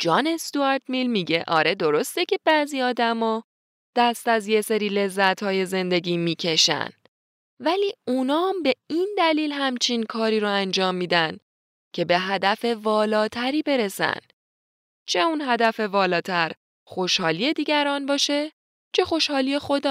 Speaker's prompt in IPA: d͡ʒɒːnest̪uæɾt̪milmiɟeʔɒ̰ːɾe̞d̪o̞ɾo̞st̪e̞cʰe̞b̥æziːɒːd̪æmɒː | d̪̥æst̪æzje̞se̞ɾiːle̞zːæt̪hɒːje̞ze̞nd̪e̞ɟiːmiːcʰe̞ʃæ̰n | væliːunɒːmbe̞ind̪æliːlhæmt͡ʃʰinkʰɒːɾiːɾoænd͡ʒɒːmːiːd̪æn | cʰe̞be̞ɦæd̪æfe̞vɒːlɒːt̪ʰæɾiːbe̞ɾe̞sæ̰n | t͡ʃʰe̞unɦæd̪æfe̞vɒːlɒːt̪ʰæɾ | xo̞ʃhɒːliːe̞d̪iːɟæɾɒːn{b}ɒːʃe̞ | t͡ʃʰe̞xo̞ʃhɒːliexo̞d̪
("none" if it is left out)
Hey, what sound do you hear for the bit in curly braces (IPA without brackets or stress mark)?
b